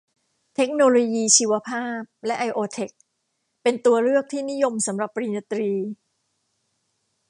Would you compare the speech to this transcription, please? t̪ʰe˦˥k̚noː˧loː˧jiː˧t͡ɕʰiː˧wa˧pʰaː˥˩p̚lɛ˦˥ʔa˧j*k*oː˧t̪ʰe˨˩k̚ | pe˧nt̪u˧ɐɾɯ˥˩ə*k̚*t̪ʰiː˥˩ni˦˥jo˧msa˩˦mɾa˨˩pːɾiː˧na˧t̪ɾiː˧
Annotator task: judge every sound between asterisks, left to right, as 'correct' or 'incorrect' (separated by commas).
incorrect, correct